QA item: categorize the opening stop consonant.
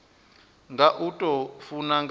plain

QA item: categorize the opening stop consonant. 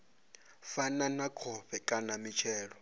aspirated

